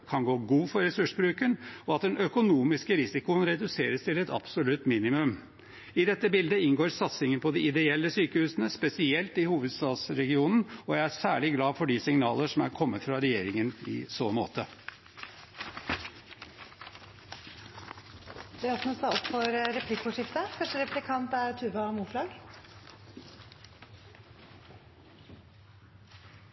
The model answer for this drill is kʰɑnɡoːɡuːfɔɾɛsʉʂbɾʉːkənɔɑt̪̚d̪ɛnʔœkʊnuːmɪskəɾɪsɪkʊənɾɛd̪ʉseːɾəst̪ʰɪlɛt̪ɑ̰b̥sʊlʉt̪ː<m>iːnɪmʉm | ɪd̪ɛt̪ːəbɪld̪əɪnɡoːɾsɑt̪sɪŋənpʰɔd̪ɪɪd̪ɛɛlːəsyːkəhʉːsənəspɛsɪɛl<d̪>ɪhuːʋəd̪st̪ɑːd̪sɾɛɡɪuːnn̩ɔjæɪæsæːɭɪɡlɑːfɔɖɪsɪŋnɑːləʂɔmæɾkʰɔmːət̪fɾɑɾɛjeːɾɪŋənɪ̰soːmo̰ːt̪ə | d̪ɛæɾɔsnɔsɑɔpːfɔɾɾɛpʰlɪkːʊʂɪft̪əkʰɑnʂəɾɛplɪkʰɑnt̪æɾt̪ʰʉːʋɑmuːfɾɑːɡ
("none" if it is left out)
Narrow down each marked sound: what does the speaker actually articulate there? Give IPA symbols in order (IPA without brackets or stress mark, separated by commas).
m, t̪